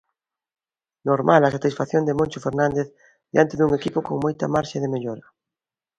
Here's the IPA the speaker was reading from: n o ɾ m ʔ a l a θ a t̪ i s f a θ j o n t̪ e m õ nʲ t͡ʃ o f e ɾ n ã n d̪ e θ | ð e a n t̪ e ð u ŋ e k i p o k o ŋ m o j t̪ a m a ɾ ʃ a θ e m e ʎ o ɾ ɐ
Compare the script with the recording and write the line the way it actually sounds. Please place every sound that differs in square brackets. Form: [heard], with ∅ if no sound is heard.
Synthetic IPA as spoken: n o ɾ m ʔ a l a [s] a t̪ i s f a θ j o n [d̪] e m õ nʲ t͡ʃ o f e ɾ n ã n d̪ e θ | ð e a n t̪ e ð u ŋ e k i p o k o ŋ m o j t̪ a m a ɾ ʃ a [ð] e m e ʎ o ɾ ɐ